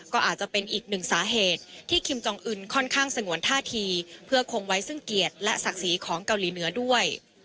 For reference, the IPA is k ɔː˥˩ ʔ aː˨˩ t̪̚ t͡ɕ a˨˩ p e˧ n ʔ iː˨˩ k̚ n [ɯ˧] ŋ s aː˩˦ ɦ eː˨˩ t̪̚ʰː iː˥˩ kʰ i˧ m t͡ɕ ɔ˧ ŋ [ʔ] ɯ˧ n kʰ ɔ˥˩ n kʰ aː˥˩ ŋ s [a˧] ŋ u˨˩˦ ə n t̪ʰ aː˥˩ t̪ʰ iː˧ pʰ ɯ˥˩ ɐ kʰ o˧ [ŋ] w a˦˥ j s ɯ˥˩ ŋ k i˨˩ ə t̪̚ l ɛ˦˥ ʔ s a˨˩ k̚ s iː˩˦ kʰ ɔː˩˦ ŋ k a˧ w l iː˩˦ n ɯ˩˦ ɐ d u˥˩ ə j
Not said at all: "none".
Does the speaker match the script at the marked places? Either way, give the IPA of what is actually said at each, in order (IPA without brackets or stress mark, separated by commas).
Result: ɯ˨˩, ʔ, a˧, ŋ